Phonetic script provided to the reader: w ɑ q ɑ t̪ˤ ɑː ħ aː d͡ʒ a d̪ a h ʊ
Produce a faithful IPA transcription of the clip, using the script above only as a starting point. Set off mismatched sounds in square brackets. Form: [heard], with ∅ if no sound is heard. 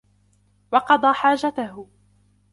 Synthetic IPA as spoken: w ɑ q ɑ [d̪ˤ] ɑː ħ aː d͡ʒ a [t̪] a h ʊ